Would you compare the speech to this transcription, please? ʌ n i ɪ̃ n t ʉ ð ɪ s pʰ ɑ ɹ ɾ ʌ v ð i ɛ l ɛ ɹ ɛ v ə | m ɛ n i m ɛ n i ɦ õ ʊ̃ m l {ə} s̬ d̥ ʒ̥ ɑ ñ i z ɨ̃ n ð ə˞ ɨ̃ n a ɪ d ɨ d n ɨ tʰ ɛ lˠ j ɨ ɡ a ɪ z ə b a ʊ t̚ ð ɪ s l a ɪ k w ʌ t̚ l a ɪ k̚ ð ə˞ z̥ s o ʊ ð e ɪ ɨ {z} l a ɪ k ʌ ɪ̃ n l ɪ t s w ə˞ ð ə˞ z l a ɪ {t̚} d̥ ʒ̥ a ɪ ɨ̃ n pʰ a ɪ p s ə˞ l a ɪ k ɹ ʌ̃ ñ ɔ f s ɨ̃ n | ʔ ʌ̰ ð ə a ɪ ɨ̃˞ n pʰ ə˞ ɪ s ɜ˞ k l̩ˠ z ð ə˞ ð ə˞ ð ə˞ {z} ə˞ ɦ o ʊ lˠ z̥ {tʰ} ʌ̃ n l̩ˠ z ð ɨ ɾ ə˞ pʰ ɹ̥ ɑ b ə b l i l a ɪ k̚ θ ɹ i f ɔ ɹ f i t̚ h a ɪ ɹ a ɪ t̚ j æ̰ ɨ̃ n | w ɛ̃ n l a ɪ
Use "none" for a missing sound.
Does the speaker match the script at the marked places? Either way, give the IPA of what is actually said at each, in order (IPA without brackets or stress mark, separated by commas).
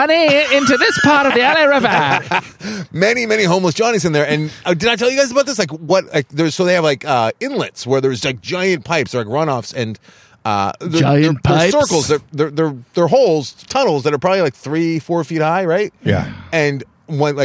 ə, v, k̚, ð, tʰ